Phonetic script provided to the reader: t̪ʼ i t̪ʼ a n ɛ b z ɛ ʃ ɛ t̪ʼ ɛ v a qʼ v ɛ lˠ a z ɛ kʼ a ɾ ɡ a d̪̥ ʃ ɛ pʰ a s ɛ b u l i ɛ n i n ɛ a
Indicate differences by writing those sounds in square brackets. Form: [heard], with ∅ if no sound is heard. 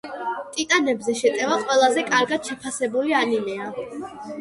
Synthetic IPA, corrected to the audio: t̪ʼ i t̪ʼ a n ɛ b z ɛ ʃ ɛ t̪ʼ ɛ v a qʼ [w] ɛ lˠ a z ɛ kʼ a ɾ ɡ a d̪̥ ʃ ɛ pʰ a s ɛ b u l i [a] n i n ɛ a